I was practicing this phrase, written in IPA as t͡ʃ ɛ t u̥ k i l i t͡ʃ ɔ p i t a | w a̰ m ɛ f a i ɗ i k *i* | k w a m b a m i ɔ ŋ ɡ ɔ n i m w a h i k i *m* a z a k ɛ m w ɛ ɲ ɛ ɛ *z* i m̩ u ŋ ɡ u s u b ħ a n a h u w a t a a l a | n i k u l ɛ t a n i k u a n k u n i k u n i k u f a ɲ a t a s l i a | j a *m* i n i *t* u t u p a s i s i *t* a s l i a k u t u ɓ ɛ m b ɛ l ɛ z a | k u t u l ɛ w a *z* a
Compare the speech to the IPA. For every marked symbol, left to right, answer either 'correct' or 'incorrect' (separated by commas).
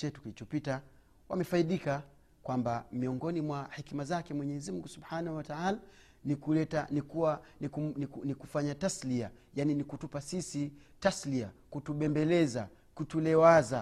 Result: incorrect, correct, correct, incorrect, incorrect, correct, correct